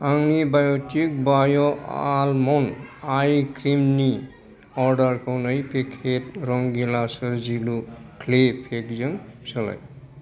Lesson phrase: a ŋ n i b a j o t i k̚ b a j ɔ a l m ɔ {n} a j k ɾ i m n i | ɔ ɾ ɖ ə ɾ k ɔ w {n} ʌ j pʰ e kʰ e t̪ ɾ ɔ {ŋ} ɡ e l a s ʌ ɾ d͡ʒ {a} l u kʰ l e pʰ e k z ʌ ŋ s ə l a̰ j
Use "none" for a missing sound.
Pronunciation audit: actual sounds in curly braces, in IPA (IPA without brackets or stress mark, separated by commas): n, n, ŋ, i